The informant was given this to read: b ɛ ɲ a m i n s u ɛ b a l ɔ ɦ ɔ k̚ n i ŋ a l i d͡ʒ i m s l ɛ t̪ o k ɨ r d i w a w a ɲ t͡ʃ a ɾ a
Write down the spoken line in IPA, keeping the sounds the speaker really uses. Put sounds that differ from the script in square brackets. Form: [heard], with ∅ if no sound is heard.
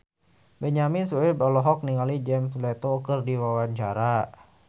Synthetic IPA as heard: b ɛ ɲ a m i n s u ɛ b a l ɔ ɦ ɔ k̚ n i ŋ a l i d͡ʒ [ɛ] m s l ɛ t̪ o k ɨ r d i w a w a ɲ t͡ʃ a ɾ a